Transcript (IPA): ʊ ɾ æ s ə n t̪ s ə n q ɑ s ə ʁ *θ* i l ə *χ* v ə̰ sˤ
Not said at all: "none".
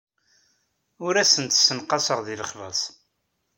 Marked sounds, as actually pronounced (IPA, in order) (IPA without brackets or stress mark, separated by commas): ð, χ